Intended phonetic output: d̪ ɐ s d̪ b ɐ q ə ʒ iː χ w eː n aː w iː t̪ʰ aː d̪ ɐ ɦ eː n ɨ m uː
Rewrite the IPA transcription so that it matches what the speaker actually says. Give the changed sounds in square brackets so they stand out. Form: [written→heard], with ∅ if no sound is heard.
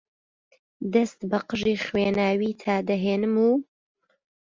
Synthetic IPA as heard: d̪ ɐ s [d̪→t̪] b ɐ q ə ʒ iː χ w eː n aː w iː t̪ʰ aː d̪ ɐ ɦ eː n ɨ m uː